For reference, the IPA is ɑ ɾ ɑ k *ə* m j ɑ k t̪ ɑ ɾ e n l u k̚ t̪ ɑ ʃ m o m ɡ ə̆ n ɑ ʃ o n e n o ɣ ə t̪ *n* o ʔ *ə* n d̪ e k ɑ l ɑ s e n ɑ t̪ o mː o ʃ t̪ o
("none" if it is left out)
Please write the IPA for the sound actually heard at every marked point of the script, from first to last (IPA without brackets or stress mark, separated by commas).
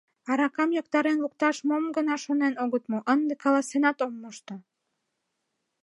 ɑ, m, ə